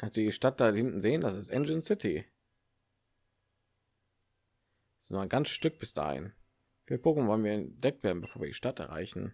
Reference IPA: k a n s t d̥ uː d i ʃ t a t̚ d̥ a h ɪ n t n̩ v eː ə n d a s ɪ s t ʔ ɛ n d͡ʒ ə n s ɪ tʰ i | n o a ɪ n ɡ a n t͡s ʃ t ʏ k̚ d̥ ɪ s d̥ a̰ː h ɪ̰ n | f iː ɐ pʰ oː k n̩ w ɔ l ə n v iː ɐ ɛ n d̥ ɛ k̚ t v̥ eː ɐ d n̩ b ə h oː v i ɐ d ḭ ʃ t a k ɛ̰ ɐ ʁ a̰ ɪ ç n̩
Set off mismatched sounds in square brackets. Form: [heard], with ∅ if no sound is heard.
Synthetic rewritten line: k a n s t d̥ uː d i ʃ t a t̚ d̥ a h ɪ n t n̩ [z] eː ə n d a s ɪ s t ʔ ɛ n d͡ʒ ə n s ɪ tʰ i | n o a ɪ n ɡ a n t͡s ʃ t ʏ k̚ [b̥] ɪ s d̥ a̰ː h ɪ̰ n | f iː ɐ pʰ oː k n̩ [v] ɔ l ə n v iː ɐ ɛ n d̥ ɛ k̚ t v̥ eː ɐ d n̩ b ə [f] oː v i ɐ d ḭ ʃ t a [t] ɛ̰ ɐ ʁ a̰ ɪ ç n̩